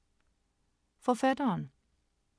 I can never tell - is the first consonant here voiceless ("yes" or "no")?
yes